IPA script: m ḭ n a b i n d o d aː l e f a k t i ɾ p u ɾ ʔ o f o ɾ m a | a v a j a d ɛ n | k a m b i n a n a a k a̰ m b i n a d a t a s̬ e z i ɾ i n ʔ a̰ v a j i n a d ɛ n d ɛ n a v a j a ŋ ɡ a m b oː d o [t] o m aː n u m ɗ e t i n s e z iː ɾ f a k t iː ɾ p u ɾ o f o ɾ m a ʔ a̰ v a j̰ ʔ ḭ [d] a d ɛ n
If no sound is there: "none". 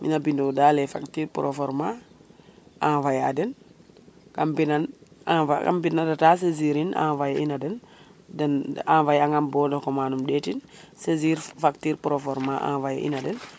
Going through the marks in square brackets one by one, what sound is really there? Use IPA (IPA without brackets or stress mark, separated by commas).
k, n